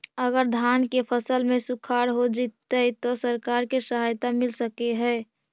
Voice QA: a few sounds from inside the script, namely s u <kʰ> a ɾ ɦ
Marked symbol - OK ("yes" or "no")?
yes